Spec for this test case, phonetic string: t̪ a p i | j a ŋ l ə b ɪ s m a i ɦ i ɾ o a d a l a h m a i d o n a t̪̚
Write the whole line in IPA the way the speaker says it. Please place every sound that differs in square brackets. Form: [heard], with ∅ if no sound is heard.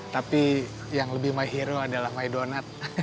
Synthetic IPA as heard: t̪ a p i | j a ŋ l ə b ɪ [h] m a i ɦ i ɾ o a d a l a h m a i d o n a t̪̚